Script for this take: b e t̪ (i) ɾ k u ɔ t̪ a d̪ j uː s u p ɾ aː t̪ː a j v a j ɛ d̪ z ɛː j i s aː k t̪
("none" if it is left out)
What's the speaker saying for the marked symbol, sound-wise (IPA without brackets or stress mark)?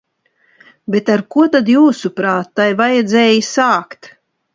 a